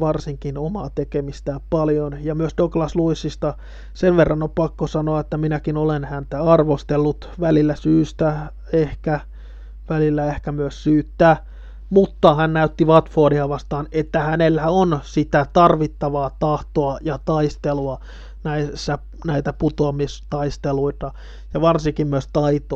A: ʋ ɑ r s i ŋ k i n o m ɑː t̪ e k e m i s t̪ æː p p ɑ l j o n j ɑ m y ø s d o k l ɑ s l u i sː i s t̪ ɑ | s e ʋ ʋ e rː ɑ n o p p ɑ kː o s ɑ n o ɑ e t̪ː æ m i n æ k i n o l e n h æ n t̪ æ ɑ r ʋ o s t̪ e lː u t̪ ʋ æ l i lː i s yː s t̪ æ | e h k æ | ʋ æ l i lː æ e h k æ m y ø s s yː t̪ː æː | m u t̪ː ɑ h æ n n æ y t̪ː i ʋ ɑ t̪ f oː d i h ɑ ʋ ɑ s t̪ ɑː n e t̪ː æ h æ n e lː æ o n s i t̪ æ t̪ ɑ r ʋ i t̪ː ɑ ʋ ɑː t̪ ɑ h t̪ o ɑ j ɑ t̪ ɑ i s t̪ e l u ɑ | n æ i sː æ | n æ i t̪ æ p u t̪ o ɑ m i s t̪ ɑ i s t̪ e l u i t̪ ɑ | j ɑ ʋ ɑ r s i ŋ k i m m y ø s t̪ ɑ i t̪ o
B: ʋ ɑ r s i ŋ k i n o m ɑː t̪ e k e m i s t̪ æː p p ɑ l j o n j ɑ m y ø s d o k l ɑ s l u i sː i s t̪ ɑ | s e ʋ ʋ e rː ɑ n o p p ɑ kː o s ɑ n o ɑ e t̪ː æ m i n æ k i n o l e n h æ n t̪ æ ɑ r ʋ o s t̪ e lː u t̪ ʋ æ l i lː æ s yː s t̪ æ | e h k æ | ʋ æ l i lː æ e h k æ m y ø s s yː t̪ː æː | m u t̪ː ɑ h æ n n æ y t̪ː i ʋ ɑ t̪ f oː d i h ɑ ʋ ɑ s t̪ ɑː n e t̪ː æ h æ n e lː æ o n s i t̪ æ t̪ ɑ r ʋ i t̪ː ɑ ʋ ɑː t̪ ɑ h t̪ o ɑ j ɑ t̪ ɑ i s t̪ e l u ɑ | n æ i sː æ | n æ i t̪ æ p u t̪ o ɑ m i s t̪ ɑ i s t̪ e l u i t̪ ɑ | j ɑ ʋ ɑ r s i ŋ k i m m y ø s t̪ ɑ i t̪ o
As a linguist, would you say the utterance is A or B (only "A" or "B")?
B